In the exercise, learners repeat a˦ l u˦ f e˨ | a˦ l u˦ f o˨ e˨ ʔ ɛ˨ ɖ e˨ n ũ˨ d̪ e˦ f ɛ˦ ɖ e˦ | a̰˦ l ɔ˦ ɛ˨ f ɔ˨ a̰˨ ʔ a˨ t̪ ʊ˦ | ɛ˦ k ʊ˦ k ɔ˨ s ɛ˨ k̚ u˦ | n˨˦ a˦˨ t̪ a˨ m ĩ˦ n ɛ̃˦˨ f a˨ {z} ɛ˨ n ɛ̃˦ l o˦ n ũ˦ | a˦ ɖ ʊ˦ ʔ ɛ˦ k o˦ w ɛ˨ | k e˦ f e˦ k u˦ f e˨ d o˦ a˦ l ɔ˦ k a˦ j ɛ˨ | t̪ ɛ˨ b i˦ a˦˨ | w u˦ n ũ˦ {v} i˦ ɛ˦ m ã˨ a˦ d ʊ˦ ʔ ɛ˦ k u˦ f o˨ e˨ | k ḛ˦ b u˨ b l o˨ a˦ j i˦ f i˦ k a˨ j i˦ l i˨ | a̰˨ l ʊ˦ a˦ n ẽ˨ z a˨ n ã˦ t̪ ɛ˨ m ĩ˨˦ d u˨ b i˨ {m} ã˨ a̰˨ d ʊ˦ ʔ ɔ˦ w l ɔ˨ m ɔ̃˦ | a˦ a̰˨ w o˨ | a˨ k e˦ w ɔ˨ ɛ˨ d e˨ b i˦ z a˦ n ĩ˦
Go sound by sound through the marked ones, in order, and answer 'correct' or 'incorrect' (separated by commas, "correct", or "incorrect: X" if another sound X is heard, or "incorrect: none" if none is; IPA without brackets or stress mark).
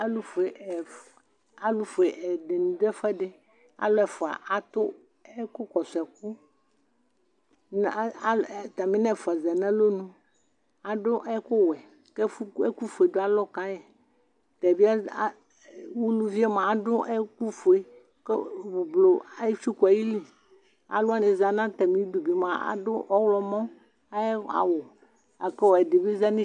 correct, correct, correct